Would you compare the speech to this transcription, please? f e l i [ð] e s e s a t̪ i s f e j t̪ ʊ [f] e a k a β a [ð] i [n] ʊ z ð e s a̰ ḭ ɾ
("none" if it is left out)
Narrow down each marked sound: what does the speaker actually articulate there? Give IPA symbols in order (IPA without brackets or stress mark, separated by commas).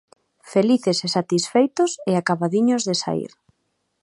θ, s, ð, ɲ